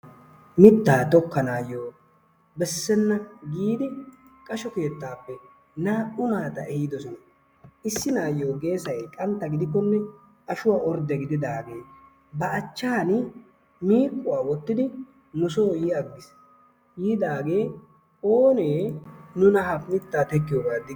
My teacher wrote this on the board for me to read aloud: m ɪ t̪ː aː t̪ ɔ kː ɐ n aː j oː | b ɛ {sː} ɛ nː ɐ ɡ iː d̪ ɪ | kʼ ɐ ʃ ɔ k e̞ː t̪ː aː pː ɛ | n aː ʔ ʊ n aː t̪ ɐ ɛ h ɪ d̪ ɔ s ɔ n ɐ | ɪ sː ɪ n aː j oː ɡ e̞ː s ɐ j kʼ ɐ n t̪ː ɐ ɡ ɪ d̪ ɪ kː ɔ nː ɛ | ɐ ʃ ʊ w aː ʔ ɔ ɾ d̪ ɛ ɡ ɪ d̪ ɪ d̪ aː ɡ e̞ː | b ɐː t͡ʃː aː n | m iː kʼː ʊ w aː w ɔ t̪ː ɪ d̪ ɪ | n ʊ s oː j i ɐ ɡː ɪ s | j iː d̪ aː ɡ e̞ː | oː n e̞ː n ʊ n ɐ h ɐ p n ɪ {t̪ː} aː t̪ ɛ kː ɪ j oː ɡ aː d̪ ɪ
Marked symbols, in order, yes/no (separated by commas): yes, yes